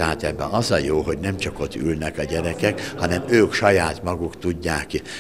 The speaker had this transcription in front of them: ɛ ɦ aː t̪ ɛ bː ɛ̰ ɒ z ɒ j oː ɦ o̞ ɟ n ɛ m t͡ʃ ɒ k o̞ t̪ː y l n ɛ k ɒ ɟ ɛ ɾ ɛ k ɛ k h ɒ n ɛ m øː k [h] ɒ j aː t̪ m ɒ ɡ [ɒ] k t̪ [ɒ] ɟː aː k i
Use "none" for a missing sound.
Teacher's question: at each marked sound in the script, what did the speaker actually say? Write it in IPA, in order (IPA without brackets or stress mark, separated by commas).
ʃ, u, u